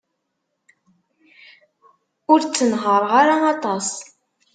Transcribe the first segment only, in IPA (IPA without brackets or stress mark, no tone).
ʊ